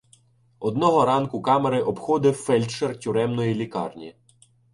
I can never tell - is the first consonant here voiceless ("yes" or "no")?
no